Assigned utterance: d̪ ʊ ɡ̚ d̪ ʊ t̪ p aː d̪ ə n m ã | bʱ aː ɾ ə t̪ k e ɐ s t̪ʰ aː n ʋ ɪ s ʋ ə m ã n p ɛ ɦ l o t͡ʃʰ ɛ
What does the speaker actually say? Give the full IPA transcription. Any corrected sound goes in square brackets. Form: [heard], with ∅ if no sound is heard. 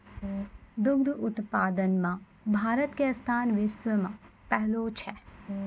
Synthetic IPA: d̪ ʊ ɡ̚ d̪ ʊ t̪ p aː d̪ ə n m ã | bʱ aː ɾ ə t̪ k e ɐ s t̪ʰ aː n ʋ ɪ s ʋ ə m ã [∅] p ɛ ɦ l o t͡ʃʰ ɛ